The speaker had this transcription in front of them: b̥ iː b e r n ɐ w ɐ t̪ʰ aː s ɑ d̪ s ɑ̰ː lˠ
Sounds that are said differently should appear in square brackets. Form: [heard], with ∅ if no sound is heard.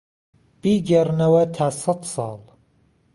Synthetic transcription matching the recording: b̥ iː [ɡ] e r n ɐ w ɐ t̪ʰ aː s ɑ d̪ s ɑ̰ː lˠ